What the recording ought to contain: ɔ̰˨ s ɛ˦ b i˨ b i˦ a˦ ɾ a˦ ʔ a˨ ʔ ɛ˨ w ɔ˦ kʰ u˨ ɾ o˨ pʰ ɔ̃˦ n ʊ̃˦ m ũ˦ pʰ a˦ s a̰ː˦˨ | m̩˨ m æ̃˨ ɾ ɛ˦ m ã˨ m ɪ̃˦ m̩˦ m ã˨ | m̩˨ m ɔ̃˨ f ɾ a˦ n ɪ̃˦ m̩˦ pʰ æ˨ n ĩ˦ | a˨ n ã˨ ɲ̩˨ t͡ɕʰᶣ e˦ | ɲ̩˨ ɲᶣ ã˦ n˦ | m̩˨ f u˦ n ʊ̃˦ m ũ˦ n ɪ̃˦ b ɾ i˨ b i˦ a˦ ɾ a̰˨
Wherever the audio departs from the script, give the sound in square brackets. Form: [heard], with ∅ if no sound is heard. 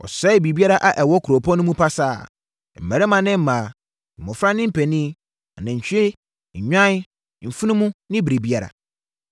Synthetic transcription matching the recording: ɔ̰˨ s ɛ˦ b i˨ b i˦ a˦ ɾ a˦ ʔ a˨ ʔ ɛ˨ w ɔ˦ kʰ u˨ ɾ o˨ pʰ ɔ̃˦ n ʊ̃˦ m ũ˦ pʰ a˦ s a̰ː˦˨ | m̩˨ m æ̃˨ ɾ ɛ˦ m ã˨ [n] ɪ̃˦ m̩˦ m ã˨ | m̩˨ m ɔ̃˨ f ɾ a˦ n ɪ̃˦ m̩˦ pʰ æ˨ n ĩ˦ | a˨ n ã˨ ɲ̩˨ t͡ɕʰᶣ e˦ | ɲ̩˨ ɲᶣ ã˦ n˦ | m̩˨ f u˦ n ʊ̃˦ m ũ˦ n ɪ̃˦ b ɾ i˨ b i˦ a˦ ɾ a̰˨